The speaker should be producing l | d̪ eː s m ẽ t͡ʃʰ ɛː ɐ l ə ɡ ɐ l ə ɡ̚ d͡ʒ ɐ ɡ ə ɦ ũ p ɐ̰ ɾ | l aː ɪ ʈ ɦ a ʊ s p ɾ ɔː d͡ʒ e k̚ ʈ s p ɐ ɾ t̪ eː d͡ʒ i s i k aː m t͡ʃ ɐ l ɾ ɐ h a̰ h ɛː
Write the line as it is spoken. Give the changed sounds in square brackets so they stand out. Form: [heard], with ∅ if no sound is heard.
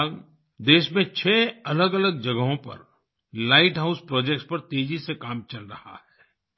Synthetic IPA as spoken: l | d̪ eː [ʃ] m ẽ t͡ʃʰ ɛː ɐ l ə ɡ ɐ l ə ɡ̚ d͡ʒ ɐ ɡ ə ɦ [õ] p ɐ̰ ɾ | l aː ɪ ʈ ɦ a ʊ s p ɾ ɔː d͡ʒ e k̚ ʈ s p ɐ ɾ t̪ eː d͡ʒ i s [e] k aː m t͡ʃ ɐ l ɾ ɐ h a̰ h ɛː